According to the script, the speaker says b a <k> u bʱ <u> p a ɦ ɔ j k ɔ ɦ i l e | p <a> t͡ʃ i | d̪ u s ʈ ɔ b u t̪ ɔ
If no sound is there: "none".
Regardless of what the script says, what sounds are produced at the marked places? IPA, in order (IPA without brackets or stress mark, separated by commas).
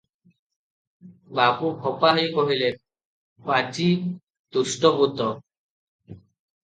p, ɔ, a